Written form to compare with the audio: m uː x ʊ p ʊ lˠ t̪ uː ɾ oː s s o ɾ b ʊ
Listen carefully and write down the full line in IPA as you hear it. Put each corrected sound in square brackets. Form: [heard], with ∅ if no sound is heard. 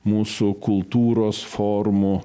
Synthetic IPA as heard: m uː [s] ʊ [k] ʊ lˠ t̪ uː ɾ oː s [f] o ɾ [m] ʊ

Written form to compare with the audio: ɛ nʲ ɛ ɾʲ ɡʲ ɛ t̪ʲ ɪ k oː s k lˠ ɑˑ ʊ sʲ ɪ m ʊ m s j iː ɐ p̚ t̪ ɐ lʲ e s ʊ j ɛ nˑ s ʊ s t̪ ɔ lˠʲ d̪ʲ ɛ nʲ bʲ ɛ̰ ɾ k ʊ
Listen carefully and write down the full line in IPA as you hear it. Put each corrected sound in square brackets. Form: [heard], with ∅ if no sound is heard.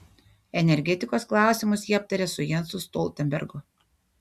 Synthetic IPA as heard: ɛ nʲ ɛ ɾʲ ɡʲ ɛ t̪ʲ ɪ k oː s k lˠ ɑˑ ʊ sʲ ɪ m ʊ [∅] s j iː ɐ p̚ t̪ ɐ [ɾʲ] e s ʊ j ɛ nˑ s ʊ s t̪ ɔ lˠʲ [t̪ʲ] ɛ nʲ bʲ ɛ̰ ɾ [ɡ] ʊ

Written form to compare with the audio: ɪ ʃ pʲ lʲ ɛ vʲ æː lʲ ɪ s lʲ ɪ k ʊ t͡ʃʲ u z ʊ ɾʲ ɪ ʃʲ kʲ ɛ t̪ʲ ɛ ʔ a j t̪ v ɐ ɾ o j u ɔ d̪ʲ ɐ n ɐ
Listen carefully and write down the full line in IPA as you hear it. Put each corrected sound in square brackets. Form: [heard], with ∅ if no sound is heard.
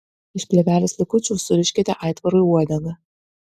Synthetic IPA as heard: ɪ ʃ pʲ lʲ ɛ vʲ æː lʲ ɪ s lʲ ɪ k ʊ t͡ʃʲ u [s] ʊ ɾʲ ɪ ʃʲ kʲ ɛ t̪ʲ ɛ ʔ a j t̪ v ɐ ɾ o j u ɔ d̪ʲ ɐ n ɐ

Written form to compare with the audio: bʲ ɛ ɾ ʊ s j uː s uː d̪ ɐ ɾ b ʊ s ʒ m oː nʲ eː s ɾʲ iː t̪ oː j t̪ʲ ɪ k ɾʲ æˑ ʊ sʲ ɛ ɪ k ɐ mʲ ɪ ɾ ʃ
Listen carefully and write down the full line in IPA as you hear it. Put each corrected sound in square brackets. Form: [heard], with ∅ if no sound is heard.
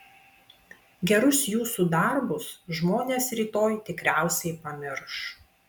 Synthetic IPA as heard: [ɡʲ] ɛ ɾ ʊ s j uː s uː d̪ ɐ ɾ b ʊ s ʒ m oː nʲ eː s ɾʲ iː t̪ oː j t̪ʲ ɪ k ɾʲ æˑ ʊ sʲ ɛ ɪ [p] ɐ mʲ ɪ ɾ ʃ

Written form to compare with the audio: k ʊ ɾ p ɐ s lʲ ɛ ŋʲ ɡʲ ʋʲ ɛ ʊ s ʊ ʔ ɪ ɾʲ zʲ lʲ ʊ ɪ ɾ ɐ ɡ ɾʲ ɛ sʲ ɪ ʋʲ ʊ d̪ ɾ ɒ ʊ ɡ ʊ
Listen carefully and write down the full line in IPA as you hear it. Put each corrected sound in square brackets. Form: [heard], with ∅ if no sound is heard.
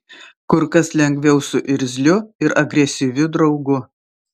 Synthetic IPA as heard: k ʊ ɾ [k] ɐ s lʲ ɛ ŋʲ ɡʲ ʋʲ ɛ ʊ s ʊ ʔ ɪ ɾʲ zʲ lʲ ʊ ɪ ɾ ɐ ɡ ɾʲ ɛ sʲ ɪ ʋʲ ʊ d̪ ɾ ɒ ʊ ɡ ʊ

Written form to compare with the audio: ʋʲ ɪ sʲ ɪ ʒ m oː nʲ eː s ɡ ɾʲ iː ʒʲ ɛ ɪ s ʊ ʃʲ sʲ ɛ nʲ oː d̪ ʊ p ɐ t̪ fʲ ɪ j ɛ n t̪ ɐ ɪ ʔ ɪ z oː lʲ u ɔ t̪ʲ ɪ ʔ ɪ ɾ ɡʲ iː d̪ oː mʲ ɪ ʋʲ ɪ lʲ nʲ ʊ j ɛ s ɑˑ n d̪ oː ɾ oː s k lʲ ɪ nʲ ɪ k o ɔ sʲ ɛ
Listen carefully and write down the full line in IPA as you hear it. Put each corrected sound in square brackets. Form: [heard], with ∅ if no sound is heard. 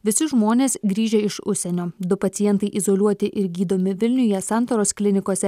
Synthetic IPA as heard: ʋʲ ɪ sʲ ɪ ʒ m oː nʲ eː s ɡ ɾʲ iː ʒʲ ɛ ɪ [ʃ] ʊ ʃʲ sʲ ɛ nʲ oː d̪ ʊ p ɐ t̪ [sʲ] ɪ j ɛ n t̪ ɐ ɪ ʔ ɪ z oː lʲ u ɔ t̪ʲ ɪ ʔ ɪ ɾ ɡʲ iː d̪ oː mʲ ɪ ʋʲ ɪ lʲ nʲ ʊ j ɛ s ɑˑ n [t̪] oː ɾ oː s k lʲ ɪ nʲ ɪ k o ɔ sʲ ɛ

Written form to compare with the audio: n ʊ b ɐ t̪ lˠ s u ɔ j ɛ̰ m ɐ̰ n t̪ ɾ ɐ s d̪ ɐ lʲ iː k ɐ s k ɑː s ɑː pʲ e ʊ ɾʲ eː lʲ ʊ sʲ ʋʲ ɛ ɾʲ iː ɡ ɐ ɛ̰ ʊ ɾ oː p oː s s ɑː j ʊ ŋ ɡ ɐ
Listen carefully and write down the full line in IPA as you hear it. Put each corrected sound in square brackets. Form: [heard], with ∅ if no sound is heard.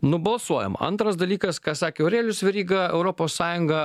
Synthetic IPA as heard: n ʊ b ɐ [∅] lˠ s u ɔ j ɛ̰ m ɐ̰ n t̪ ɾ ɐ s d̪ ɐ lʲ iː k ɐ s k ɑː s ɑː [kʲ] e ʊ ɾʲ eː lʲ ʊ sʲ ʋʲ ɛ ɾʲ iː ɡ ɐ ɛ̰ ʊ ɾ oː p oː s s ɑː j ʊ ŋ ɡ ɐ

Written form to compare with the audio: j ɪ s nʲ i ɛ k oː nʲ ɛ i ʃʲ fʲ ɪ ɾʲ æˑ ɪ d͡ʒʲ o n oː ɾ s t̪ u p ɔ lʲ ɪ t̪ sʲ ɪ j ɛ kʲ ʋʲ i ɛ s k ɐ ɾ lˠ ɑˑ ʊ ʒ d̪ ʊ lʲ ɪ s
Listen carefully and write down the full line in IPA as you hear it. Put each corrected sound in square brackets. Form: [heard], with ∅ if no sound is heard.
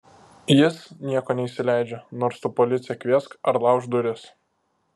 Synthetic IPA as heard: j ɪ s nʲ i ɛ k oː nʲ ɛ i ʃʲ [sʲ] ɪ [lʲ] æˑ ɪ d͡ʒʲ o n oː ɾ s t̪ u p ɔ lʲ ɪ t̪ sʲ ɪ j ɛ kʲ ʋʲ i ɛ s k ɐ ɾ lˠ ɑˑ ʊ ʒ d̪ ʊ [ɾʲ] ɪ s

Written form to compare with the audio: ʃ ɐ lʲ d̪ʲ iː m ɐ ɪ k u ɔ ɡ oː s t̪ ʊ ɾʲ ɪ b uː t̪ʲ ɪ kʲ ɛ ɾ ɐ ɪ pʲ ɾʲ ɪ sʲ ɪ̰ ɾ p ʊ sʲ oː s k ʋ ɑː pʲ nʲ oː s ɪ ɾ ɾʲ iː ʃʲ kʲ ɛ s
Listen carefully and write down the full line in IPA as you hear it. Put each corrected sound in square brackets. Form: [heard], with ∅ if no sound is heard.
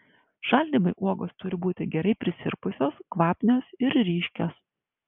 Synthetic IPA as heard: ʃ ɐ lʲ d̪ʲ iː m ɐ ɪ [ʔ] u ɔ ɡ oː s t̪ ʊ ɾʲ ɪ b uː t̪ʲ ɪ [ɡʲ] ɛ ɾ ɐ ɪ pʲ ɾʲ ɪ sʲ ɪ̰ ɾ p ʊ sʲ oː s k ʋ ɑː pʲ nʲ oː s ɪ ɾ ɾʲ iː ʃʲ kʲ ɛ s

